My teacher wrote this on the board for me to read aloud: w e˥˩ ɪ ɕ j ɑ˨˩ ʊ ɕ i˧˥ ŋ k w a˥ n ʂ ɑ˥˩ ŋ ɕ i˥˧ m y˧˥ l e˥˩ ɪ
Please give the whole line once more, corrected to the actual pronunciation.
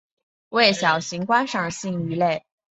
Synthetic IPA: w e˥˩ ɪ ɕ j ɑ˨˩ ʊ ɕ i˧˥ ŋ k w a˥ n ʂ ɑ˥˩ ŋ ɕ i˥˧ ŋ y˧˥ l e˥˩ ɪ